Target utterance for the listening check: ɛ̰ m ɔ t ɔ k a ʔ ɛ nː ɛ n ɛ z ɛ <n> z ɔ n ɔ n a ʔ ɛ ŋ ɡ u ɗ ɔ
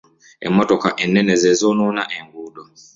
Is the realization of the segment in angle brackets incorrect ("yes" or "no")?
yes